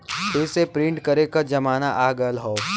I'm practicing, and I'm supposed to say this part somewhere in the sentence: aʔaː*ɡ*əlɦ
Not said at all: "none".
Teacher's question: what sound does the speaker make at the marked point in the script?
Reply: ɡ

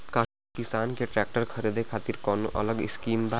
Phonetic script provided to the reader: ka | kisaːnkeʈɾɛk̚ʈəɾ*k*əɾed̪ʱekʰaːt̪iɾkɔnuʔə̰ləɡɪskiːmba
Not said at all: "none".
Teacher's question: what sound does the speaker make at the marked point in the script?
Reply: kʰ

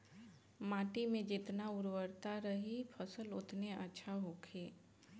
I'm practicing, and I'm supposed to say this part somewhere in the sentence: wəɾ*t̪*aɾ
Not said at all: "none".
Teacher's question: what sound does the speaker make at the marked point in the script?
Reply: t̪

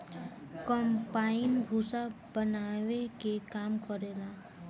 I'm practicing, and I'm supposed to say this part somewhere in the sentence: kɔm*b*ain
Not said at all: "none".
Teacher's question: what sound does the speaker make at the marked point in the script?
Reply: p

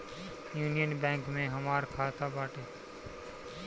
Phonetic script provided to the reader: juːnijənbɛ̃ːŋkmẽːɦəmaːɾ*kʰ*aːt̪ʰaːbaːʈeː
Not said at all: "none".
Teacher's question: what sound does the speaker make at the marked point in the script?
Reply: kʰ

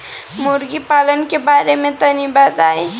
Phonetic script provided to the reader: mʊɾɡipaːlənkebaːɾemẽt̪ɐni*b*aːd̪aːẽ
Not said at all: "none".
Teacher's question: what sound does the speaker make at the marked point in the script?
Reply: b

